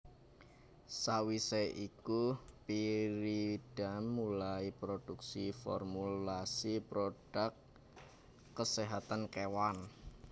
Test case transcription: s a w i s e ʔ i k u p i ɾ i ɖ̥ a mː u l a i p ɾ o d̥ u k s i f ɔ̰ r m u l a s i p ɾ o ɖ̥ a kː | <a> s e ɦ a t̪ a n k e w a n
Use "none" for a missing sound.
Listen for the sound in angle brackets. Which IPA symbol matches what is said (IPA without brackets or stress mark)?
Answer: ə